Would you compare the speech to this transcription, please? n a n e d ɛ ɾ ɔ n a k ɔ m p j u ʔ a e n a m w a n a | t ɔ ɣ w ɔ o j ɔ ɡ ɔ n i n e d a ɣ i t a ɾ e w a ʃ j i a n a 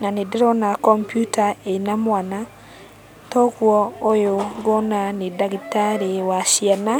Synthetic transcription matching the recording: n a n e d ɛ ɾ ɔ n a k ɔ m p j u t a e n a m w a n a | t ɔ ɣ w ɔ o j o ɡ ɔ n a n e d a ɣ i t a ɾ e w a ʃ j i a n a